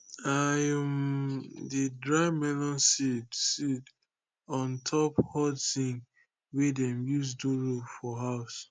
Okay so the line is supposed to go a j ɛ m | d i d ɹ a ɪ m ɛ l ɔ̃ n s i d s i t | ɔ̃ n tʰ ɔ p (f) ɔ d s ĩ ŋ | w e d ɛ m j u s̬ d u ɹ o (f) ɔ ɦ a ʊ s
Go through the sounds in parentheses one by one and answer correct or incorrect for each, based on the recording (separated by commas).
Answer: incorrect, correct